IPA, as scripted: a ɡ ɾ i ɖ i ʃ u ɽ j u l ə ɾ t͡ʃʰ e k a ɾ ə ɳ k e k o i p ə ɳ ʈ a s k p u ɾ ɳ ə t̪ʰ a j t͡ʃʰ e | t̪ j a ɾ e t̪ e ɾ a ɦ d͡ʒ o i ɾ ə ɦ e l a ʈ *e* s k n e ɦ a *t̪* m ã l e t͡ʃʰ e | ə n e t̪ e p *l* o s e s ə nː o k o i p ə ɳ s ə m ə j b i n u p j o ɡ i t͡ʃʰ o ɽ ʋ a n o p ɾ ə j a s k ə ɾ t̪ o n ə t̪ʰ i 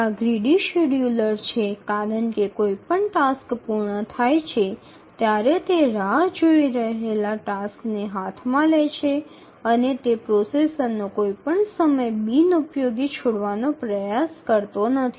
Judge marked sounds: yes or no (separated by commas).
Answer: no, no, no